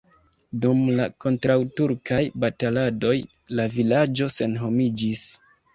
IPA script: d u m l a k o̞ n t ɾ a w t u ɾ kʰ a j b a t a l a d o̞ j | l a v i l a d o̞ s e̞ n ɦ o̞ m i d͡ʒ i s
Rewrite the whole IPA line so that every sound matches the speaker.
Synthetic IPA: d u m l a k o̞ n t ɾ a w t u ɾ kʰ a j b a t a l a d o̞ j | l a v i l a d͡ʒ o̞ s e̞ n ɦ o̞ m i d͡ʒ i s